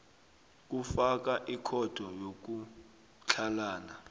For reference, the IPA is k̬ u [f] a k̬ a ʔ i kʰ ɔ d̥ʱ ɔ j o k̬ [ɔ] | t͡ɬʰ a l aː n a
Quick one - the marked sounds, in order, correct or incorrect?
correct, incorrect: u

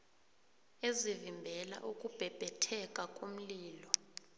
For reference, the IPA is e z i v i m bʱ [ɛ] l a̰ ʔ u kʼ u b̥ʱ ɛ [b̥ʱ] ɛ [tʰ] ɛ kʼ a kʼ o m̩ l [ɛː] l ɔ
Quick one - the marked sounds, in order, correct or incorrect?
correct, correct, correct, incorrect: iː

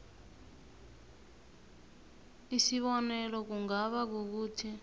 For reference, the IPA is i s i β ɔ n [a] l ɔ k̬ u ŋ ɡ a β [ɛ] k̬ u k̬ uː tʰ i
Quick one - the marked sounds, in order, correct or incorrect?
incorrect: ɛ, incorrect: a

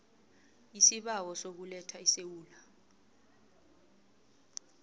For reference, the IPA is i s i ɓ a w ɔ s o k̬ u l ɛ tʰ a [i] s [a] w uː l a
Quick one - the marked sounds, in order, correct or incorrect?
correct, incorrect: e

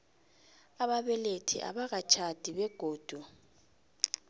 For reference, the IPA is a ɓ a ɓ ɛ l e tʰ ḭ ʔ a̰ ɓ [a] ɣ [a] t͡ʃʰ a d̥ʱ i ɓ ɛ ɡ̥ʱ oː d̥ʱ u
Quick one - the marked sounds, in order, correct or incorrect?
correct, correct

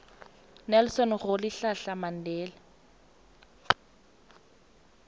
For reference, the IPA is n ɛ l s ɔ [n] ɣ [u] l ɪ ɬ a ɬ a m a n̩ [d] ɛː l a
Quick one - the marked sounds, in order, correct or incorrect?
correct, incorrect: ʊ, correct

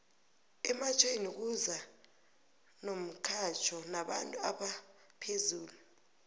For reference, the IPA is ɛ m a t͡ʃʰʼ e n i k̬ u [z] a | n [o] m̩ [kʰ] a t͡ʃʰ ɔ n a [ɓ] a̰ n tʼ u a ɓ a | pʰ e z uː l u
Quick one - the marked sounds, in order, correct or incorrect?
correct, correct, correct, correct

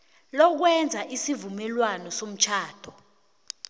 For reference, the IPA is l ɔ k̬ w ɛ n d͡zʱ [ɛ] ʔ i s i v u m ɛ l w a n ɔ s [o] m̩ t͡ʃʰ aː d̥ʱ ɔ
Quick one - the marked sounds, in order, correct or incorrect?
incorrect: a, correct

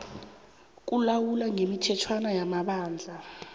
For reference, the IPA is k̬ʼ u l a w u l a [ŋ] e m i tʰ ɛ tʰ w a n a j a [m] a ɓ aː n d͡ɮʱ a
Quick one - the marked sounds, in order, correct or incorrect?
correct, correct

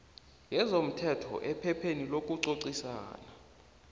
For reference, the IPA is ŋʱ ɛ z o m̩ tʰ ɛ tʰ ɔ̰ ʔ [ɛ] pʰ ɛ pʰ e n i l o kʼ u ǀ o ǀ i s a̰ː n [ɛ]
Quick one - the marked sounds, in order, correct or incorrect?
correct, incorrect: a

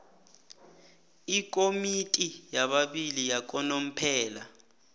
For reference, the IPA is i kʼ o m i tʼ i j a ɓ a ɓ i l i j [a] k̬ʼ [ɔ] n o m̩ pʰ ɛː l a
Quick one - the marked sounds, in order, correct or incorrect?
correct, correct

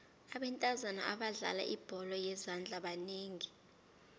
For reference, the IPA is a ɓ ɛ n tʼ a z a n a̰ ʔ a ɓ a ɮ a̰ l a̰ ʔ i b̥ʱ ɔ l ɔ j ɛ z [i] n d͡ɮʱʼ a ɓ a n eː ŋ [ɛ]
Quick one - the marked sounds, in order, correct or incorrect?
incorrect: a, incorrect: i

